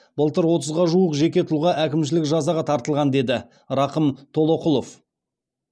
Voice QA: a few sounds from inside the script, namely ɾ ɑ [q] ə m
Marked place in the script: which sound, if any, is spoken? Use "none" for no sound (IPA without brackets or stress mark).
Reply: q